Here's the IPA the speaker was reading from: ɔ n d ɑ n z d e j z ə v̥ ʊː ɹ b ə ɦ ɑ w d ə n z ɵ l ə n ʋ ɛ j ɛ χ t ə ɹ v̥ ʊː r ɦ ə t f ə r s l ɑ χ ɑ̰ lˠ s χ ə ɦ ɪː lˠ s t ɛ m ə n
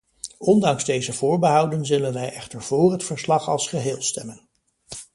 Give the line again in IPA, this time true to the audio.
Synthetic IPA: ɔ n d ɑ ŋ z d e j z ə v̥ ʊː ɹ b ə ɦ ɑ w d ə n z ɵ l ə n ʋ ɛ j ɛ χ t ə ɹ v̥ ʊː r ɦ ə t f ə ɹ s l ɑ χ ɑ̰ lˠ s χ ə ɦ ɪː lˠ s t ɛ m ə n